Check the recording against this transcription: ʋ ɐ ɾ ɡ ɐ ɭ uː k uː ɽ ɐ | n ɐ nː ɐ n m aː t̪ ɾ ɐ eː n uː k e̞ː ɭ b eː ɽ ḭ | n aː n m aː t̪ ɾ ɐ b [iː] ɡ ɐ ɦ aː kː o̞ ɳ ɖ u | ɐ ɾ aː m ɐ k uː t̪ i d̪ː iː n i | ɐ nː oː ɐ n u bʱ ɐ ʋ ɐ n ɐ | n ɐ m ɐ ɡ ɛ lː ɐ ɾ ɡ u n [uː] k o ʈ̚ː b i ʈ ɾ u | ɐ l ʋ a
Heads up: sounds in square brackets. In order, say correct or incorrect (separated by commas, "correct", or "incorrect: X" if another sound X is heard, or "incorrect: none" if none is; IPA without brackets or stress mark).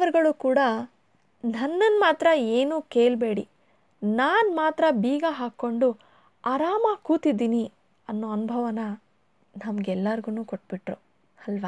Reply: correct, correct